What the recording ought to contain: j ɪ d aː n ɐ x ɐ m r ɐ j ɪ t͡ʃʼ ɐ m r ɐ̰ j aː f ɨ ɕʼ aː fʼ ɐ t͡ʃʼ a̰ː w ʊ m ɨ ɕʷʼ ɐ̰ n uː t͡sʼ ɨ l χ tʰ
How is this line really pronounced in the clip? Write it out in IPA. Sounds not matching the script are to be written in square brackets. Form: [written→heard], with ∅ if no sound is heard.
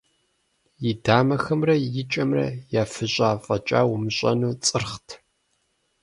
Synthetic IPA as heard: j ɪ d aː [n→m] ɐ x ɐ m r ɐ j ɪ t͡ʃʼ ɐ m r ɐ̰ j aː f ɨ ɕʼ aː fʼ ɐ t͡ʃʼ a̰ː w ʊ m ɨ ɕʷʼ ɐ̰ n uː t͡sʼ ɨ [l→r] χ tʰ